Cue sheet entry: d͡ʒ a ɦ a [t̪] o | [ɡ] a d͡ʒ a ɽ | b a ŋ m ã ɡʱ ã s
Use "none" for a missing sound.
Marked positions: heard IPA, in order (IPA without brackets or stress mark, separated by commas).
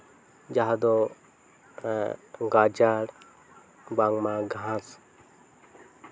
d̪, ɡ